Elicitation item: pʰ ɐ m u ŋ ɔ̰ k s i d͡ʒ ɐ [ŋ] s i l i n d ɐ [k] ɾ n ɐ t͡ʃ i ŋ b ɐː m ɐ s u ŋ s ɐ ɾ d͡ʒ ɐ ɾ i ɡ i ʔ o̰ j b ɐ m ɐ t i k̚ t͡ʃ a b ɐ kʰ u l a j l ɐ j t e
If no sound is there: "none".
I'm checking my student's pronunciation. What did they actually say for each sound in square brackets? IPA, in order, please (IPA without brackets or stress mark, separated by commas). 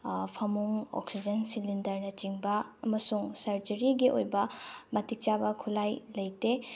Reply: n, none